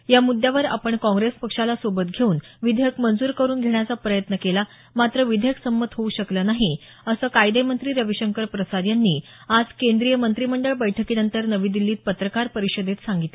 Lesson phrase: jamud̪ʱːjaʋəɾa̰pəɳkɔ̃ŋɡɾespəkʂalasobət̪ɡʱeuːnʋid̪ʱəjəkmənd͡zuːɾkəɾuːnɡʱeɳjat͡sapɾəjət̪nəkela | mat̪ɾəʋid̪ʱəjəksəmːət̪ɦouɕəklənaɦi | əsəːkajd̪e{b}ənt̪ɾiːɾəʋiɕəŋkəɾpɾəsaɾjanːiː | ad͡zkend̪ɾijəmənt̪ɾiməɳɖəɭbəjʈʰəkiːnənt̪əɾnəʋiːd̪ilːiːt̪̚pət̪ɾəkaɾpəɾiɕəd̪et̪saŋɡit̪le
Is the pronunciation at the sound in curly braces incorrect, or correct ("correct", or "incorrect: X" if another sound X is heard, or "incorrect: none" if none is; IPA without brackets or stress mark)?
incorrect: m